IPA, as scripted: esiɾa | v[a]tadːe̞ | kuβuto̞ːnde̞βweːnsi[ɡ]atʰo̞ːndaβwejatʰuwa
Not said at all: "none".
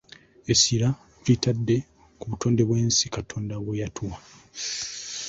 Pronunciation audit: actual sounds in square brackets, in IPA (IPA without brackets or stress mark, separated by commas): i, k